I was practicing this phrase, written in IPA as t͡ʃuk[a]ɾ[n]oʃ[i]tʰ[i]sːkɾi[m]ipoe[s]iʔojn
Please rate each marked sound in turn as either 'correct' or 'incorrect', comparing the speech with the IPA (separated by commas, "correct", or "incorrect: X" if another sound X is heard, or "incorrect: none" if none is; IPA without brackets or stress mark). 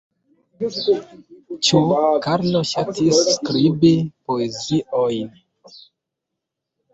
correct, correct, incorrect: a, correct, incorrect: b, incorrect: z